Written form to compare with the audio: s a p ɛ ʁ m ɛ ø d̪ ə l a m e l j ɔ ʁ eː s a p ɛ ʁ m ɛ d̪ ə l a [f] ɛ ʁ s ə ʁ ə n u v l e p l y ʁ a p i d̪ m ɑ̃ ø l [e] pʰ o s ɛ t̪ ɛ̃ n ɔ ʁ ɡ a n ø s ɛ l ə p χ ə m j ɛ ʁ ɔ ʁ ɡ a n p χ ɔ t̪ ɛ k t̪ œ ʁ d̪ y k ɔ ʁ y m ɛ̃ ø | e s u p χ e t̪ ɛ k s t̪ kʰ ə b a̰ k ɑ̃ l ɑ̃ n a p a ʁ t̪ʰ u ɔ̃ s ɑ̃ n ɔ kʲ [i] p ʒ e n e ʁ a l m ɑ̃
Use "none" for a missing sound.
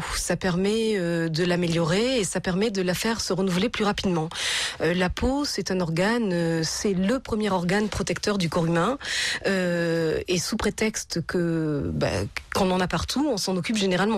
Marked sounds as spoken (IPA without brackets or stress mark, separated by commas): f, a, y